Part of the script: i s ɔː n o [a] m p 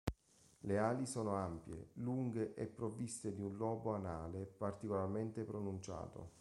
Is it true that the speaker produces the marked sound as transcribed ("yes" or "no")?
yes